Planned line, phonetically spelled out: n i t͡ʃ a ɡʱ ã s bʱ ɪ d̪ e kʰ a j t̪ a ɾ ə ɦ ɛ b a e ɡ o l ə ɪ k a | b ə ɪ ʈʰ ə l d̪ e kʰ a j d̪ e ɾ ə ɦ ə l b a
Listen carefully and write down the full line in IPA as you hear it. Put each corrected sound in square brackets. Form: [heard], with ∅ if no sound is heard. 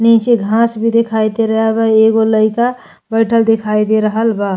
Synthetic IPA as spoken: n i t͡ʃ [e] ɡʱ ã s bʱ [i] d̪ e kʰ a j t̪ [e] ɾ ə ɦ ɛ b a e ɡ o l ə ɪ k a | b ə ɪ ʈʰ ə l d̪ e kʰ a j d̪ e ɾ ə ɦ ə l b a